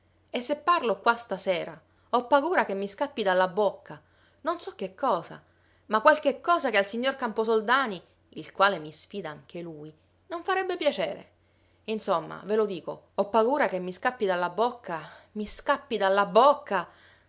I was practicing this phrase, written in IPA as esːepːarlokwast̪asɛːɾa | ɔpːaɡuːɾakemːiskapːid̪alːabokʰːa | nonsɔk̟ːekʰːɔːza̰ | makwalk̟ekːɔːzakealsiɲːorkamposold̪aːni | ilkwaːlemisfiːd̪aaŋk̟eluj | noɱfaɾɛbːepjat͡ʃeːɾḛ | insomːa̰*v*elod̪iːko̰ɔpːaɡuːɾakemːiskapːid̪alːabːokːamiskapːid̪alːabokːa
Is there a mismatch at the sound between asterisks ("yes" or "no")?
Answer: no